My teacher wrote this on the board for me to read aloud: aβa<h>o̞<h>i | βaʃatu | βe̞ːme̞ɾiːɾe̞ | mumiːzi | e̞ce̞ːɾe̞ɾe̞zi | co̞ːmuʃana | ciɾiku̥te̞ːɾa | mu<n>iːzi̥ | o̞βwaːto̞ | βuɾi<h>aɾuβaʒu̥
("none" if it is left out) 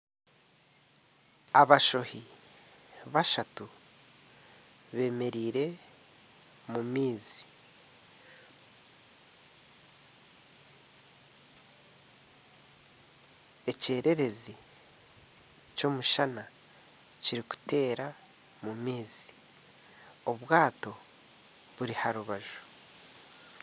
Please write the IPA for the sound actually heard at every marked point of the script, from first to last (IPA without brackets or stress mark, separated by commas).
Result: ʃ, h, m, h